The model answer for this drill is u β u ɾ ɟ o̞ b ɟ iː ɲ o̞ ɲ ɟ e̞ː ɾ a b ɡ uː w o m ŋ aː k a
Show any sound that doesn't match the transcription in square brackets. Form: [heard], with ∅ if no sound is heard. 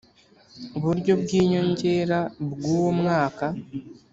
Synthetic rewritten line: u β u ɾ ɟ o̞ b [ɡ] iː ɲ o̞ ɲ ɟ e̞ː ɾ a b ɡ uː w o m ŋ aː k a